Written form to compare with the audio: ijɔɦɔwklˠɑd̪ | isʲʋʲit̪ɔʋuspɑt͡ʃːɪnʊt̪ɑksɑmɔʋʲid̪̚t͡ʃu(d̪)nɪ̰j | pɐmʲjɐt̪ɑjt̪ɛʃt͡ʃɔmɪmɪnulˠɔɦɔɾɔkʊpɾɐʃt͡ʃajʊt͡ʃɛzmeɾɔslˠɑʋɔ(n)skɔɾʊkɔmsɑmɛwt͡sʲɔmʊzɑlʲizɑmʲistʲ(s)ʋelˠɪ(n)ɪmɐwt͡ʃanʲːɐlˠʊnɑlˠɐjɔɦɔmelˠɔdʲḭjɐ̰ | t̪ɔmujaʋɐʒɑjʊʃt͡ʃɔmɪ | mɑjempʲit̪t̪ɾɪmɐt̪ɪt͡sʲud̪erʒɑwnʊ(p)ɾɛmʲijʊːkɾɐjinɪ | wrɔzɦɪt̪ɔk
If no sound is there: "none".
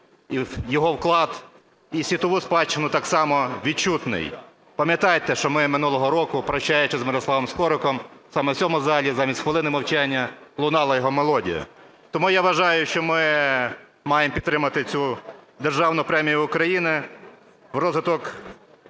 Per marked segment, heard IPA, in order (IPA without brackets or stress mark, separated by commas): t̪, m, x, n, p